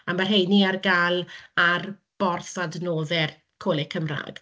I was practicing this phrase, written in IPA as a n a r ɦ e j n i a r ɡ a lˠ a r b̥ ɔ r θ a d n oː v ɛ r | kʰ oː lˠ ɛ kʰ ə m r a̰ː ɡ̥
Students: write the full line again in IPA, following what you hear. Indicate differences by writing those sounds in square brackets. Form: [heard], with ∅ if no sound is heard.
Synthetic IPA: a [m] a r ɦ e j n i a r ɡ a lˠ a r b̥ ɔ r θ a d n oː [ð] ɛ r | kʰ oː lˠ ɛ kʰ ə m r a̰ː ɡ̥